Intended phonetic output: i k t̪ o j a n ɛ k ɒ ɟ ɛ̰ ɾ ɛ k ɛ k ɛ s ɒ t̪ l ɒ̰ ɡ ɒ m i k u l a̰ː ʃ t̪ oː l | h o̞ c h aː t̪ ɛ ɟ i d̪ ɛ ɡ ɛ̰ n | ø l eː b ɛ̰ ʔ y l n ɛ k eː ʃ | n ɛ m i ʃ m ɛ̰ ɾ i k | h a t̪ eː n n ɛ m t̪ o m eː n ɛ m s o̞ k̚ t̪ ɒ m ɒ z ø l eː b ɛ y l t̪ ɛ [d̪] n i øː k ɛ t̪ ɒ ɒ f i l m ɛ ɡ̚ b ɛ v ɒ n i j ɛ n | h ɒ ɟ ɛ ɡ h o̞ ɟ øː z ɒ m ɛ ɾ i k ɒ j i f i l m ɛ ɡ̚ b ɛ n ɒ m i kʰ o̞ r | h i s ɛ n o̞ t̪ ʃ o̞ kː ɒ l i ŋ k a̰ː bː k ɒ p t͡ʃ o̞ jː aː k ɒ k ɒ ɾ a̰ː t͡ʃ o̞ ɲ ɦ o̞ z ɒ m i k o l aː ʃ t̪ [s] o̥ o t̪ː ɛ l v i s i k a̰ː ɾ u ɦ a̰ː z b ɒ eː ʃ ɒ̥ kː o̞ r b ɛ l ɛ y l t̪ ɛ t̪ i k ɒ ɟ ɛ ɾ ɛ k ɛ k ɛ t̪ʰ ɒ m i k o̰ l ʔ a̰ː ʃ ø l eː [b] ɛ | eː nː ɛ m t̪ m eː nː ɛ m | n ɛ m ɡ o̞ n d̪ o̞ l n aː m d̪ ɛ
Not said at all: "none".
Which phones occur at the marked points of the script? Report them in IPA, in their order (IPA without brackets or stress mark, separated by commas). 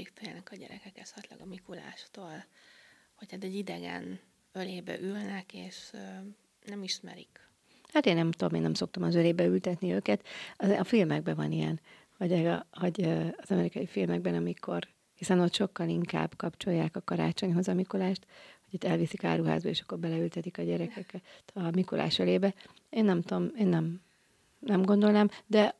t̪, h, b